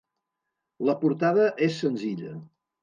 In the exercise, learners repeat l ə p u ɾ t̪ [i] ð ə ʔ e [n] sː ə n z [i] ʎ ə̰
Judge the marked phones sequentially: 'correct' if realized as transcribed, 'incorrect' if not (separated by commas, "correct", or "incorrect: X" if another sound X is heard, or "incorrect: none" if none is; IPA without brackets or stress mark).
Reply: incorrect: a, incorrect: none, correct